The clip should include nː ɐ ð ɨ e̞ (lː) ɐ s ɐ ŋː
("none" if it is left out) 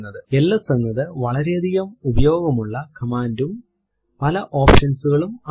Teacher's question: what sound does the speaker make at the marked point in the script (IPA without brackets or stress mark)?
lː